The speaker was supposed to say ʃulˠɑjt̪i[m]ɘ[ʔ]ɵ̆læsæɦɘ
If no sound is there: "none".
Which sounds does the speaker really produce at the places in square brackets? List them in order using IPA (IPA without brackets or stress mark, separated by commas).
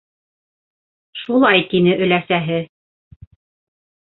n, ʔ